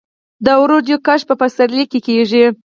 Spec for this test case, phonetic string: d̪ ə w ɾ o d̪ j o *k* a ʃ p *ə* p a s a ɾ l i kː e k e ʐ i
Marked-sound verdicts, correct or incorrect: correct, correct

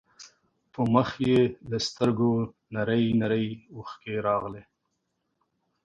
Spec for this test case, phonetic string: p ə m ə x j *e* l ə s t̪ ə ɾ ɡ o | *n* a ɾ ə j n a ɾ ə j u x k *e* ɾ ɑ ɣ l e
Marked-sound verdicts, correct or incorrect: correct, correct, correct

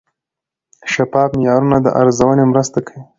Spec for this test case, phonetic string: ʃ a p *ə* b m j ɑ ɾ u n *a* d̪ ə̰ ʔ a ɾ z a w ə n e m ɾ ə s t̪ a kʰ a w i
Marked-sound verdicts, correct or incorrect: incorrect: ɑ, correct

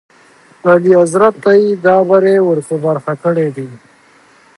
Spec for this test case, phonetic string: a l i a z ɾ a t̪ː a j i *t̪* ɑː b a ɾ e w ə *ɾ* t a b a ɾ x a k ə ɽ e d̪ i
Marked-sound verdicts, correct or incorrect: incorrect: d̪, correct

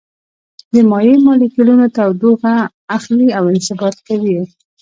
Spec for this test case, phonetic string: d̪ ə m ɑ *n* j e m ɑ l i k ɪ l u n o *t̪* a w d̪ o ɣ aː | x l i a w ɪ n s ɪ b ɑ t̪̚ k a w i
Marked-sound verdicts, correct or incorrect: incorrect: none, correct

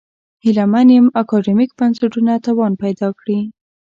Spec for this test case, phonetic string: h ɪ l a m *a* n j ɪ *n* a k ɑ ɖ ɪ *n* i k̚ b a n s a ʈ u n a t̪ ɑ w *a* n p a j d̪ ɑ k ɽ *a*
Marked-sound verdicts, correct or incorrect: correct, incorrect: m, incorrect: m, incorrect: ɑ, incorrect: i

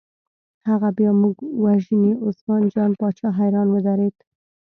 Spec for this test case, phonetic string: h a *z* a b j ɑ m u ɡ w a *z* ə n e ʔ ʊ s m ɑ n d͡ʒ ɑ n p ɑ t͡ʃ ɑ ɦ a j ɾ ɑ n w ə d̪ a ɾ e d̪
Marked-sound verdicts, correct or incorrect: incorrect: ɣ, incorrect: ʒ

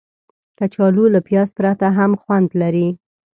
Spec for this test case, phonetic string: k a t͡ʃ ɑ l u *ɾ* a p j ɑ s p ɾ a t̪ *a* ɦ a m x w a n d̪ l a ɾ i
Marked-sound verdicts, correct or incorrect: incorrect: l, correct

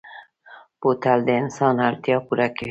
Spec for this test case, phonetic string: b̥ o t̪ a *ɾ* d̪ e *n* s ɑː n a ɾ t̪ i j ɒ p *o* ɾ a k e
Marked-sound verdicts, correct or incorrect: incorrect: l, correct, incorrect: u

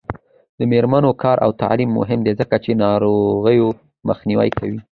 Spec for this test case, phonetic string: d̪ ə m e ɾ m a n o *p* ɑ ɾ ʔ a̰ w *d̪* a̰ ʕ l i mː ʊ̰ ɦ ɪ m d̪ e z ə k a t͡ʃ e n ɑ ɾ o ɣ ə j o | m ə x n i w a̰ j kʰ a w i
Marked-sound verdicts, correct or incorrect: incorrect: k, incorrect: t̪

